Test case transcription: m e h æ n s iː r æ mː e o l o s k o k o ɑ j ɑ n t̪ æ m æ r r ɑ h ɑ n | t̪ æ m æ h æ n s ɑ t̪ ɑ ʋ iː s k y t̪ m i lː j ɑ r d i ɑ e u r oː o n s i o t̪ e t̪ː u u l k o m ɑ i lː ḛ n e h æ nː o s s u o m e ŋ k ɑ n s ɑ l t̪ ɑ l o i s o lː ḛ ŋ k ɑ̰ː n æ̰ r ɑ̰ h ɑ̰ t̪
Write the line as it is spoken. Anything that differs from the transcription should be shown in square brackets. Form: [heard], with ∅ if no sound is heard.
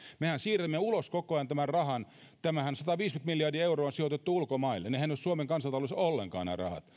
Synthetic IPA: m e h æ n s iː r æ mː e [u] l o s k o k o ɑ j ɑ n t̪ æ m æ r r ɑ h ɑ n | t̪ æ m æ h æ n s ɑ t̪ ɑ ʋ iː s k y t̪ m i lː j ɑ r d i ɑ e u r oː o n s i o t̪ e t̪ː u u l k o m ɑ i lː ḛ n e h æ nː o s s u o m e ŋ k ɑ n s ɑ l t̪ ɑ l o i s o lː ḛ ŋ k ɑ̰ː n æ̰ r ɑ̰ h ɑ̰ t̪